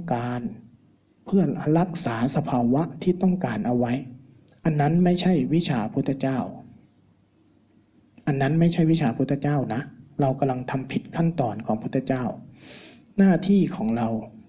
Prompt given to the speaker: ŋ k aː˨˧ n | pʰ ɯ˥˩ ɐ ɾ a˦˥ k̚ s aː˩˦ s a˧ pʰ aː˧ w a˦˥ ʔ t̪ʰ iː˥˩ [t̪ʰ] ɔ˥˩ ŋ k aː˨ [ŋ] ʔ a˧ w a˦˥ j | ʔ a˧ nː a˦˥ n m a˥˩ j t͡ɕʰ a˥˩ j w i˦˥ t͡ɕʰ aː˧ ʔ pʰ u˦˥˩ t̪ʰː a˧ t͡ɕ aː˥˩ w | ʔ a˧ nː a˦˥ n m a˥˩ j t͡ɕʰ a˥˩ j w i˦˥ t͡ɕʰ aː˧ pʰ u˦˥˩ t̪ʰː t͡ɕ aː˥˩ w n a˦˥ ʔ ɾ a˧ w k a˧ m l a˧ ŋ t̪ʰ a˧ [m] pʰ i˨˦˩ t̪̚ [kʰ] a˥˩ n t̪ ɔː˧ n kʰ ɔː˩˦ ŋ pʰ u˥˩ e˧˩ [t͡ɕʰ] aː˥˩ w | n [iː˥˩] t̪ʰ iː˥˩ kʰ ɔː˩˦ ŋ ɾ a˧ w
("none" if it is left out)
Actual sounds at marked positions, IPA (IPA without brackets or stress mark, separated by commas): t̪, n, m, kʰ, t͡ɕ, aː˥˩